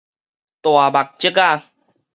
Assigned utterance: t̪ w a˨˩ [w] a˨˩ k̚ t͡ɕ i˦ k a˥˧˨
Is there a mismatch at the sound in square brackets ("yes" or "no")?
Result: yes